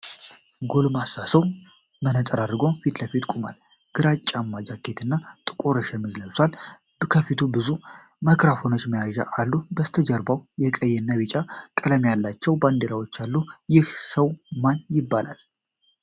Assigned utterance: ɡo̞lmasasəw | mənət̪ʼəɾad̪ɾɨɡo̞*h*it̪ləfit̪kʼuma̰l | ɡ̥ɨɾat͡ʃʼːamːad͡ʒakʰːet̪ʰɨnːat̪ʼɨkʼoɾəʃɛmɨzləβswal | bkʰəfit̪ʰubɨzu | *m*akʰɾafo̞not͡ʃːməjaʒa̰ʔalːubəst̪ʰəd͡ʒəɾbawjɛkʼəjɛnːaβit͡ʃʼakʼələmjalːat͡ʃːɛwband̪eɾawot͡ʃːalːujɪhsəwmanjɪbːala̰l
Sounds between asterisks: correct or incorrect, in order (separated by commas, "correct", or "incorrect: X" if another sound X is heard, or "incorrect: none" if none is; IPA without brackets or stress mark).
incorrect: f, correct